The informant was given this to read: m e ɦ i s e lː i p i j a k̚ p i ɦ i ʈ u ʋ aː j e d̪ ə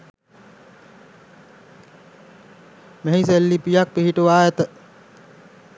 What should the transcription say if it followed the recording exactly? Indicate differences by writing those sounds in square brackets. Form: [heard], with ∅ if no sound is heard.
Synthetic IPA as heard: m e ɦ i s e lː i p i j a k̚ p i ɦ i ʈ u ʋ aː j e [t̪] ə

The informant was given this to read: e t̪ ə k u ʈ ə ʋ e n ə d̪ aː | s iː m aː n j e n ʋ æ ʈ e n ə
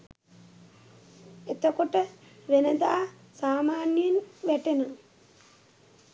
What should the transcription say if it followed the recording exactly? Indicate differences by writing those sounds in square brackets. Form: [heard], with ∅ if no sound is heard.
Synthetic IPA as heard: e t̪ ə k [o] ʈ ə ʋ e n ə d̪ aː | s [aː] m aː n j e n ʋ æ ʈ e n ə

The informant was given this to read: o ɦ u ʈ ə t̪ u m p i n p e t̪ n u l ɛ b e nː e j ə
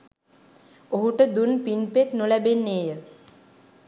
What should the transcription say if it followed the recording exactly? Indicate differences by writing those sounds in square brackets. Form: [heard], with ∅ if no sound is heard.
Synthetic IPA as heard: o ɦ u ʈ ə [d̪] u [n] p i n p e t̪ n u l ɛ b e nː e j ə

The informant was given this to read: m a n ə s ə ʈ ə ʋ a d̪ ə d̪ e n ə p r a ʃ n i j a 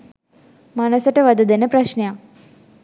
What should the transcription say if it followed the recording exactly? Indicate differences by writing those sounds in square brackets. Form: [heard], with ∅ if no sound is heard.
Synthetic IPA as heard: m a n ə s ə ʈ ə ʋ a d̪ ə d̪ e n ə p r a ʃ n [e] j a

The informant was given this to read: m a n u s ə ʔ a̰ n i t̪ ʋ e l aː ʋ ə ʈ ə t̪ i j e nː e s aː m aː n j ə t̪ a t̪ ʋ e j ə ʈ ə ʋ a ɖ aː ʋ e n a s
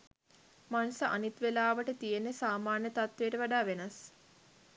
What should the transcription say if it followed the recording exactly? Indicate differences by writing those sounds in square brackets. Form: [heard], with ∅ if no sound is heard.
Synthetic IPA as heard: m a n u s ə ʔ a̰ n i t̪ ʋ e l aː ʋ ə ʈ ə t̪ i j e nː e s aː m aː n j ə t̪ a t̪ ʋ e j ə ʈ ə ʋ a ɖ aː ʋ e n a s

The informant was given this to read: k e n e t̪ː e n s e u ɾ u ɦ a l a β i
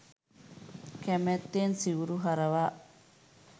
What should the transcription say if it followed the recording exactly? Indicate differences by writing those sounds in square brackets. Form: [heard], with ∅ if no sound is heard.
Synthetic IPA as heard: k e [m] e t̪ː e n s [i] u ɾ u ɦ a [ɾ] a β [a]

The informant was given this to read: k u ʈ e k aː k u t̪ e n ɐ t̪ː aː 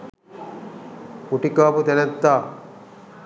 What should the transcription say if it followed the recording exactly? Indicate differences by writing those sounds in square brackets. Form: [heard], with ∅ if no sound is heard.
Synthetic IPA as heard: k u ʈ [i] k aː [p] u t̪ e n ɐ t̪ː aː

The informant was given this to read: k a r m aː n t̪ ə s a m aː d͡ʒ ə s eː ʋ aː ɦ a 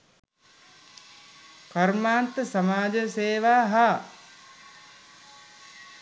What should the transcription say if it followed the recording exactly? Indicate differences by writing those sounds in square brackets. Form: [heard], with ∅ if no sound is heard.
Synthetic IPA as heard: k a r m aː n t̪ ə s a m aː d͡ʒ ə s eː ʋ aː ɦ a

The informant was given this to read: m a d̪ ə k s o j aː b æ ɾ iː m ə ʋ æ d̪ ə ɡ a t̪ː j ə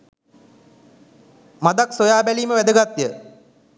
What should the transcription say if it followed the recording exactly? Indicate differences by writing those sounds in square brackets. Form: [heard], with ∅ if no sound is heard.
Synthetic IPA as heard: m a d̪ [a] k s o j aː b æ [l] iː m ə ʋ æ d̪ ə ɡ a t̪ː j ə

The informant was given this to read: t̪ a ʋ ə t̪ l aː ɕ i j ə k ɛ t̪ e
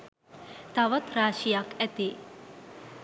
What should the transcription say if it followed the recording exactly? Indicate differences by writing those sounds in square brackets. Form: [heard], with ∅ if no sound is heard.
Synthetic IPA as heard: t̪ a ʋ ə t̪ [ɾ] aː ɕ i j [a] k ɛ t̪ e

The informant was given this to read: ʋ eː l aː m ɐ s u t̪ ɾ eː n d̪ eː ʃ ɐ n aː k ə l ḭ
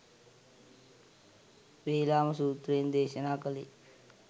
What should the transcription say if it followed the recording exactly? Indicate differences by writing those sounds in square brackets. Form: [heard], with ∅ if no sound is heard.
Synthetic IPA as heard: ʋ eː l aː m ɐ s [uː] t̪ ɾ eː n d̪ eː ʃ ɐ n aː k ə l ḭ

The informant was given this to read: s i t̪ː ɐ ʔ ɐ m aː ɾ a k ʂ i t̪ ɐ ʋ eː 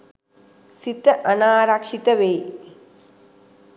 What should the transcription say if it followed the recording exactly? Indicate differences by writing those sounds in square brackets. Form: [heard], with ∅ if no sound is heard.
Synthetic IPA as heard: s i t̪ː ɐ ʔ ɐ [n] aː ɾ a k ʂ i t̪ ɐ ʋ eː

